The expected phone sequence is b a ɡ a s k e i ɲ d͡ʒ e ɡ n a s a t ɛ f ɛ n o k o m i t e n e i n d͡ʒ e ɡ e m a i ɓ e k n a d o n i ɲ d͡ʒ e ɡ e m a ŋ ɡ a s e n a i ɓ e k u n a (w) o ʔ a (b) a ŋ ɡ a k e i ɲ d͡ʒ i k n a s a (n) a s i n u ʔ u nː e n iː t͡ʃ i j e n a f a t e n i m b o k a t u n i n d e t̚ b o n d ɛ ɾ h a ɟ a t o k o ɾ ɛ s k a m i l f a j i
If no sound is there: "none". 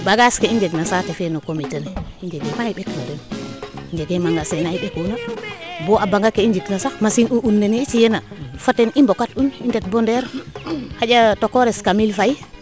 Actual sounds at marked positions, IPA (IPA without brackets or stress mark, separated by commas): b, b, m